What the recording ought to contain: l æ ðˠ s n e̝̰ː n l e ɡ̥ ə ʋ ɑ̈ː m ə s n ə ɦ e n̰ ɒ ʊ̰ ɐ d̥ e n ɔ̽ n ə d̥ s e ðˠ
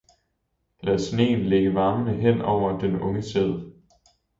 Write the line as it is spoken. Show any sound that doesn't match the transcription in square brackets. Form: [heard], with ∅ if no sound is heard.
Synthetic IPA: l æ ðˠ s n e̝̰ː n l e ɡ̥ ə ʋ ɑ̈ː m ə [∅] n ə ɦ e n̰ ɒ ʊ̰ ɐ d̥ e n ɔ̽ [ŋ] ə [∅] s e ðˠ